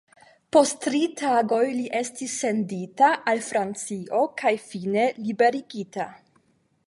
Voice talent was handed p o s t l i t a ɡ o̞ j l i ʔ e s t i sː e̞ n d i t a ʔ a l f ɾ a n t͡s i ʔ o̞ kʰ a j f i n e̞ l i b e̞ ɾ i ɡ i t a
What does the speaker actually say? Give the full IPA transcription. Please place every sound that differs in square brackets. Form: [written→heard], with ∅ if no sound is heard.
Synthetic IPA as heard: p o s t [l→ɾ] i t a ɡ o̞ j l i ʔ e s t i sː e̞ n d i t a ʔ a l f ɾ a n t͡s i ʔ o̞ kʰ a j f i n e̞ l i b e̞ ɾ i ɡ i t a